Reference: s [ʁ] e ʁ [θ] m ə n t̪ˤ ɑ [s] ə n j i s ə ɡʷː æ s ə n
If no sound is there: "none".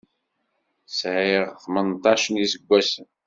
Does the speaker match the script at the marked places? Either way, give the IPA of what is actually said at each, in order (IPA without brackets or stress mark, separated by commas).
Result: ʕ, θ, ʃ